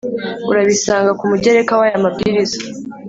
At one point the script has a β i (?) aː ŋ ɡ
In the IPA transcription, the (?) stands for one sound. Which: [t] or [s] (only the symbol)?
s